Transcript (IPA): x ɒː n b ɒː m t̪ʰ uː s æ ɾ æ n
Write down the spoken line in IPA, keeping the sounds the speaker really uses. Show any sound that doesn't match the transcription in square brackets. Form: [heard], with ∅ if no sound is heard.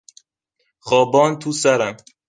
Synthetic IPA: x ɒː [∅] b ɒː [n] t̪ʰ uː s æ ɾ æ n